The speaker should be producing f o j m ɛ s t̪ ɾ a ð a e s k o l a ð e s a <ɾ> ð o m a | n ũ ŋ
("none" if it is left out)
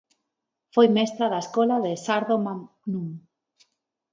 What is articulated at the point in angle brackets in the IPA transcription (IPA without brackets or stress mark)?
ɾ